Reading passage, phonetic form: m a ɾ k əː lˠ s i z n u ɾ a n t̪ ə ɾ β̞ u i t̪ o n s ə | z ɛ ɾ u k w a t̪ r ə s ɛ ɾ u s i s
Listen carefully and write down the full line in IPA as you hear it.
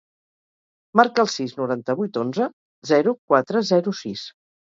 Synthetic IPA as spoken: m a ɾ k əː lˠ s i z n u ɾ a n t̪ ə β̞ u j t̪ o n z ə | z ɛ ɾ u k w a t̪ ɾ ə z ɛ ɾ u s i s